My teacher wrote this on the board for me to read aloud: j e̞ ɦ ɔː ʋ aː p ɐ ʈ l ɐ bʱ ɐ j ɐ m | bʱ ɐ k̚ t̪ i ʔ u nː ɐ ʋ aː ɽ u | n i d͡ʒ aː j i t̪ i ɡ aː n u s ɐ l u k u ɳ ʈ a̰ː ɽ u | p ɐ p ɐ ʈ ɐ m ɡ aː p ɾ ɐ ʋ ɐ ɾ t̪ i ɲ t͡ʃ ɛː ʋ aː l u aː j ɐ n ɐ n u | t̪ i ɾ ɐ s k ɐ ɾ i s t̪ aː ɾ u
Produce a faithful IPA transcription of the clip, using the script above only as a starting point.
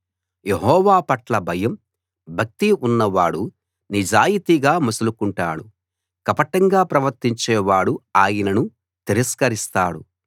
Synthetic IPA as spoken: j e̞ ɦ ɔː ʋ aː p ɐ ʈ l ɐ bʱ ɐ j ɐ m | bʱ ɐ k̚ t̪ i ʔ u nː ɐ ʋ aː ɽ u | n i d͡ʒ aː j i t̪ i ɡ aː m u s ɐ l u k u ɳ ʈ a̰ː ɽ u | k ɐ p ɐ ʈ ɐ ŋ ɡ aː p ɾ ɐ ʋ ɐ ɾ t̪ i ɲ t͡ʃ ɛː ʋ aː ɽ u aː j ɐ n ɐ n u | t̪ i ɾ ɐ s k ɐ ɾ i s t̪ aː ɽ u